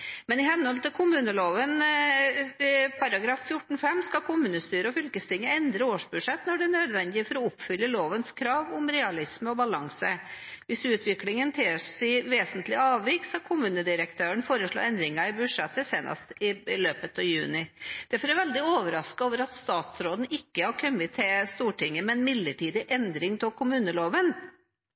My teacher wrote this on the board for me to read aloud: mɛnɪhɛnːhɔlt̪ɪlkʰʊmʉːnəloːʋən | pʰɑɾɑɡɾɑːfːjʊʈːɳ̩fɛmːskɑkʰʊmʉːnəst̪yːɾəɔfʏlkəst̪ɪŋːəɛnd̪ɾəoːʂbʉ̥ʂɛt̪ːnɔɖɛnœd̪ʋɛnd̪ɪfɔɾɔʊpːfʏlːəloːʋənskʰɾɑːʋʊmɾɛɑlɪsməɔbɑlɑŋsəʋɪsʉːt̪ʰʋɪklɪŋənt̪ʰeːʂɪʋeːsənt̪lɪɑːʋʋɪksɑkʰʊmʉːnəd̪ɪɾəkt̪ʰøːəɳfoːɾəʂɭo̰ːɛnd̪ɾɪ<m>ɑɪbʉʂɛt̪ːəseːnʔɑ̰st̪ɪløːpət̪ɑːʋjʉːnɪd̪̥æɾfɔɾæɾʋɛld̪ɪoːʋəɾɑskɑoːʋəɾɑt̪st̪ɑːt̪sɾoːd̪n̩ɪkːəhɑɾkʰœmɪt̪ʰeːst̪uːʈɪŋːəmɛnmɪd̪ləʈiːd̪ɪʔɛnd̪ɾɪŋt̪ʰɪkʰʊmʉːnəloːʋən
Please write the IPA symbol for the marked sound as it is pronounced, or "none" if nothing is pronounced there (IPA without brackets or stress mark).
ŋ